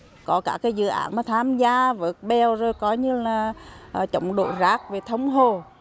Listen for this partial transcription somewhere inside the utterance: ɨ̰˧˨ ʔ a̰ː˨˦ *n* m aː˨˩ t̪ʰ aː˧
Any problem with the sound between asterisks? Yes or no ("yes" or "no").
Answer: no